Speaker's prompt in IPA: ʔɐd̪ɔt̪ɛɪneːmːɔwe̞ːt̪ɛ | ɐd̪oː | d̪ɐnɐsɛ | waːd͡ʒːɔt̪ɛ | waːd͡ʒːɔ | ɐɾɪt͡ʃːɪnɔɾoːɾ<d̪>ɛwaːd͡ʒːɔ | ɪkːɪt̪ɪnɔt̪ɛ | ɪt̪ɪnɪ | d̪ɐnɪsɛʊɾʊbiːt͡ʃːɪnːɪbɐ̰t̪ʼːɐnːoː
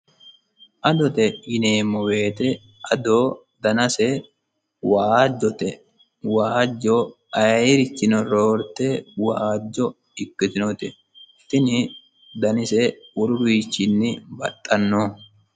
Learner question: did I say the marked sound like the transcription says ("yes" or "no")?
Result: no